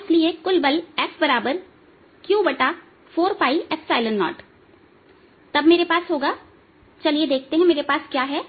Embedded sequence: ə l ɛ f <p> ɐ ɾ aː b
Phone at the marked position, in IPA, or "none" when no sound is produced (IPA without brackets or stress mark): b